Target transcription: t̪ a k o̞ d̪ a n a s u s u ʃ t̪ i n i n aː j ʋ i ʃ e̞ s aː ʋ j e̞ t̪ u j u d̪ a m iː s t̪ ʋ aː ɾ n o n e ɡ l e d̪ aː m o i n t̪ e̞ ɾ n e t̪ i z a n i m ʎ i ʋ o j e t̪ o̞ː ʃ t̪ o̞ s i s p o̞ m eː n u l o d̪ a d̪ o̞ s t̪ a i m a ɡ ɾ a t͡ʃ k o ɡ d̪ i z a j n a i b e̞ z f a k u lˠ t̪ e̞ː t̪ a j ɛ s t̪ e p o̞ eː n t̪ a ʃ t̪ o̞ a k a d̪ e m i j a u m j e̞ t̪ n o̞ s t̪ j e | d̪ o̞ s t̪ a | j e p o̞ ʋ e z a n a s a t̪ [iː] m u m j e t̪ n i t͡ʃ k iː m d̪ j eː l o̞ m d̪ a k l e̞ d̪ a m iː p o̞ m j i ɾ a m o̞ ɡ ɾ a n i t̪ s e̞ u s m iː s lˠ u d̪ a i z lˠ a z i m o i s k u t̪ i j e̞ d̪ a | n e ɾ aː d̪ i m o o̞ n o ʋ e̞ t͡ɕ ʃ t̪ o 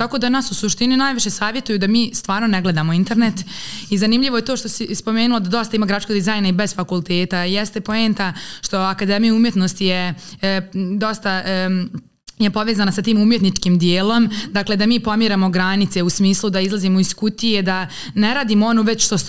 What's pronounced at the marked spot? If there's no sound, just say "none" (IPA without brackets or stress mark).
iː